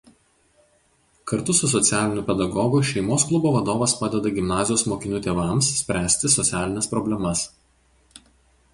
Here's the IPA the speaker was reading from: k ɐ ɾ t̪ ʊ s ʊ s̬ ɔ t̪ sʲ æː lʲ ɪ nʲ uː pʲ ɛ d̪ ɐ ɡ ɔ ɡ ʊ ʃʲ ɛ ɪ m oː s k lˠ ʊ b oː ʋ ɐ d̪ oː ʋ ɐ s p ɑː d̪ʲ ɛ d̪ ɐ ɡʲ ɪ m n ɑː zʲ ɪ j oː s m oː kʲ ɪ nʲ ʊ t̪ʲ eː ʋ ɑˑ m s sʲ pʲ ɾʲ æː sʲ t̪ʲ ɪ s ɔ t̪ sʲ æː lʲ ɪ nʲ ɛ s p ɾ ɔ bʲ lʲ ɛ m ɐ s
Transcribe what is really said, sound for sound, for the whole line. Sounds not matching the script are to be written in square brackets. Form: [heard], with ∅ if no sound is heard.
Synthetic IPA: k ɐ ɾ t̪ ʊ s ʊ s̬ ɔ t̪ sʲ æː lʲ ɪ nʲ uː pʲ ɛ d̪ ɐ ɡ ɔ ɡ ʊ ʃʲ ɛ ɪ m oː s k lˠ ʊ b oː ʋ ɐ d̪ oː ʋ ɐ s p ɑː d̪ʲ ɛ d̪ ɐ ɡʲ ɪ m n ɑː zʲ ɪ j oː s m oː kʲ ɪ nʲ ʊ t̪ʲ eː ʋ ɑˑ m s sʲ pʲ ɾʲ æː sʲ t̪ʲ ɪ s ɔ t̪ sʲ æː lʲ ɪ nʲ ɛ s p ɾ ɔ bʲ lʲ ɛ m ɐ s